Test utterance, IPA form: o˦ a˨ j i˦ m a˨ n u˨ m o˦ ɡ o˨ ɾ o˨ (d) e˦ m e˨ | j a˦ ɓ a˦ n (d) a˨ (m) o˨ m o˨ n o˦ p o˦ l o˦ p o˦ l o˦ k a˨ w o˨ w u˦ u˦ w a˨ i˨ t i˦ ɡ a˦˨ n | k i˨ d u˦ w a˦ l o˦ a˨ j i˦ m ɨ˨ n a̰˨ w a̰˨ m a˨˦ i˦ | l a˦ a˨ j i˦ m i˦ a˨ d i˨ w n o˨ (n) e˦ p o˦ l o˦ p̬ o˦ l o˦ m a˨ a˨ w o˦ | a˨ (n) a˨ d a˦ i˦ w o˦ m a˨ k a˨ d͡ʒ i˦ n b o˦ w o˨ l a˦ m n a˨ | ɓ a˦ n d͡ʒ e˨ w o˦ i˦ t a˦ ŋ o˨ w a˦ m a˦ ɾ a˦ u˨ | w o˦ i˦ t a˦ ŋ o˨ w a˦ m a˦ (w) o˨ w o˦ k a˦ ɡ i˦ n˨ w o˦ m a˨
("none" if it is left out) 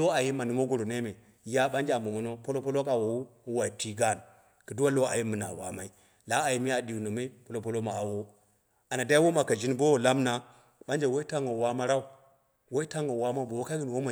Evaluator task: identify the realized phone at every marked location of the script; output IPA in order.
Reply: n, d͡ʒ, m, m, n, b

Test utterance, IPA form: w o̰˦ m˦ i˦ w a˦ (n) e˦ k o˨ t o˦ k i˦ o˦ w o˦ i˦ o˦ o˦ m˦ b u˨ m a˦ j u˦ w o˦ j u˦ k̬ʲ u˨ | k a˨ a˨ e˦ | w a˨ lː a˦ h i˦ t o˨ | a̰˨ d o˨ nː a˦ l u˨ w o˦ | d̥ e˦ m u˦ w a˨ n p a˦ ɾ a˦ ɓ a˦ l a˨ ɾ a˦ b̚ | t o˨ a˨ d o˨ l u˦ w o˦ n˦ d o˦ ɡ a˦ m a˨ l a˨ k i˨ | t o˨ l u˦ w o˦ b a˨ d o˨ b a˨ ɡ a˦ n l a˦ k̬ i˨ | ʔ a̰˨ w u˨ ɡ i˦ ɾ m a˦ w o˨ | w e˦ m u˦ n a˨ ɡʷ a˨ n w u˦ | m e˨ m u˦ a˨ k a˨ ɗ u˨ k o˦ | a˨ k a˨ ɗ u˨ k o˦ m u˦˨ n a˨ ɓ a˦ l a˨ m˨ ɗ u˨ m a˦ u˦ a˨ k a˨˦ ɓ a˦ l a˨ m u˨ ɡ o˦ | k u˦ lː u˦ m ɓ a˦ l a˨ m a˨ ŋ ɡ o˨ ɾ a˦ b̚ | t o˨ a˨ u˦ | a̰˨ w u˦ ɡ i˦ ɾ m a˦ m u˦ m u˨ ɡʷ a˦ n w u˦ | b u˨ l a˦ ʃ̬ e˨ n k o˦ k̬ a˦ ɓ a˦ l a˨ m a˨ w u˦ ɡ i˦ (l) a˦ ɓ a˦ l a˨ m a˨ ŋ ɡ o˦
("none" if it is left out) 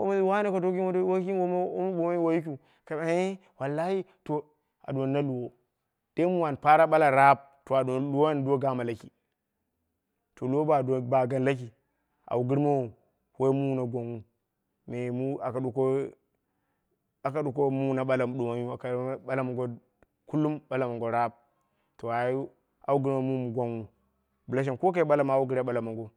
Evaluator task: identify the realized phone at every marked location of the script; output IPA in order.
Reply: n, ɾ

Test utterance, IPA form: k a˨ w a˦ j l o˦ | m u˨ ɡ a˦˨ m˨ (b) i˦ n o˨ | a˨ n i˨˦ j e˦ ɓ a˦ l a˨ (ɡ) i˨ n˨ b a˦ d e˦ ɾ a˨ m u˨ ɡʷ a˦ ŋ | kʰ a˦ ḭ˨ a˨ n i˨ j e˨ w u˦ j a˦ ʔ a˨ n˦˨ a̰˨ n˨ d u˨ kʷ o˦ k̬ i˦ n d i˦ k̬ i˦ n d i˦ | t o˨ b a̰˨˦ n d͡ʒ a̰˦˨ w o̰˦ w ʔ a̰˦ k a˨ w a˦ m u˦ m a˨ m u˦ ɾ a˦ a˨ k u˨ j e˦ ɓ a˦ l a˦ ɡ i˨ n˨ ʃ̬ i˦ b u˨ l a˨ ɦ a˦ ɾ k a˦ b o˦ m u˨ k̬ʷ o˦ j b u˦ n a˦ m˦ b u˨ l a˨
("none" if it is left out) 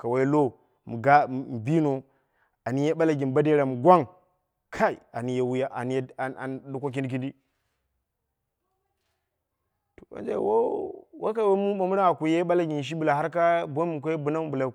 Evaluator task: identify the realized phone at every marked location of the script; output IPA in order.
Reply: b, ɡ

